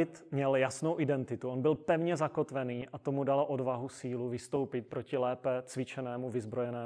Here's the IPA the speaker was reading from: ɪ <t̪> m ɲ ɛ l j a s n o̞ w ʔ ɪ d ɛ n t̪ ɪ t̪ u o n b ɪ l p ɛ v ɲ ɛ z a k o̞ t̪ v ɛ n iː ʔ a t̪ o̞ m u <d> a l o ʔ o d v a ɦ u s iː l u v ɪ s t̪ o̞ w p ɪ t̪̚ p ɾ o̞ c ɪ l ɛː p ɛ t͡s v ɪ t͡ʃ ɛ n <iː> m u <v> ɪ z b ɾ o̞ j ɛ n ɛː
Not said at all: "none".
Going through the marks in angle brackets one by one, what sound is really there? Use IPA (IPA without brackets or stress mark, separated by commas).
t̪, d, ɛː, v